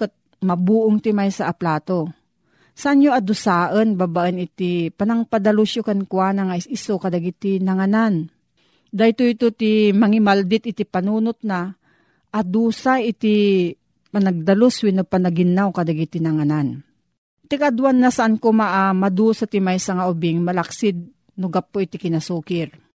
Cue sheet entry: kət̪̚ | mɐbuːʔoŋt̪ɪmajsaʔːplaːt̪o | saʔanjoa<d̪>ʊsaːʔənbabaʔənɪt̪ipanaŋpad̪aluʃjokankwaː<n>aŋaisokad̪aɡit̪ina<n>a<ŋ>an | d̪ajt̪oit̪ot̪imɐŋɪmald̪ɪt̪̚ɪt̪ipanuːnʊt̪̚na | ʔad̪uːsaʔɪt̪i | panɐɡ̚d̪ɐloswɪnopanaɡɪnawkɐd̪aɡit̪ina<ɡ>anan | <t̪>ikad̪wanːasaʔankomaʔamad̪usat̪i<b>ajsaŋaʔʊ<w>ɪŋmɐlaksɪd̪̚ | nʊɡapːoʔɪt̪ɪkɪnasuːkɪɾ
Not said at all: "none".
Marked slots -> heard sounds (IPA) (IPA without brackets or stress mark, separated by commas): d̪, n, ŋ, n, ŋ, t̪, m, b